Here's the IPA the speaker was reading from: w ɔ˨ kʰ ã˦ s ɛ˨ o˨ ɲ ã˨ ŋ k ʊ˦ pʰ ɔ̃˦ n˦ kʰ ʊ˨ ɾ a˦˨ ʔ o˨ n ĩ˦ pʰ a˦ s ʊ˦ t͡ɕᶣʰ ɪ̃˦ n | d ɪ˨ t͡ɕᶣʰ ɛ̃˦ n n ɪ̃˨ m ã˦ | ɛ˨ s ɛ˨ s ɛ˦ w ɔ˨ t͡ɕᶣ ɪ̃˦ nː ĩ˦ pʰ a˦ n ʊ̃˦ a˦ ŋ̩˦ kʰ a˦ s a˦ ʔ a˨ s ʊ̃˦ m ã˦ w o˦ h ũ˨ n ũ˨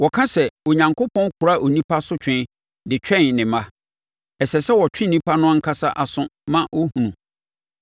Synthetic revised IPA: w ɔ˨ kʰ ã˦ s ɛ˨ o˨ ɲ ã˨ ŋ k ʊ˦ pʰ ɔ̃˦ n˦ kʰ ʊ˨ ɾ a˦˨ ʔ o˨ n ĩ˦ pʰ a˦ s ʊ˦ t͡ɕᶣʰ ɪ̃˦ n | d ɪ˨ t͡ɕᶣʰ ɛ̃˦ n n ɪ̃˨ m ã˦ | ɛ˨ s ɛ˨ s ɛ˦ w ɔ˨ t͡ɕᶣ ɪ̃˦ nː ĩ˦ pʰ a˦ n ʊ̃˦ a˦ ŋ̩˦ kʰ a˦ s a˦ ʔ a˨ s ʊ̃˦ m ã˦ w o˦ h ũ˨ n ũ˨